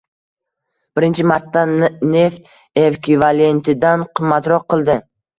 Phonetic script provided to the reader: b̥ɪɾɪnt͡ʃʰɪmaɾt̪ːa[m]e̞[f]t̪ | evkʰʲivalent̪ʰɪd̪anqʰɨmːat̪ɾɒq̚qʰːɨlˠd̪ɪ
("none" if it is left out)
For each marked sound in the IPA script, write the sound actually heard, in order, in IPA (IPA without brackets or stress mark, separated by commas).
n, f